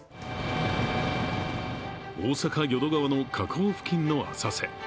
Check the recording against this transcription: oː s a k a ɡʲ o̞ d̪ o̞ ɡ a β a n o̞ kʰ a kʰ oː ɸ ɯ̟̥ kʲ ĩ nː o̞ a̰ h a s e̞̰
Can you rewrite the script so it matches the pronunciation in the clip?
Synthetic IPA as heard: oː s a k a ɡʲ o̞ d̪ o̞ ɡ a β a n o̞ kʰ a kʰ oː ɸ ɯ̟̥ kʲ ĩ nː o̞ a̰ s a s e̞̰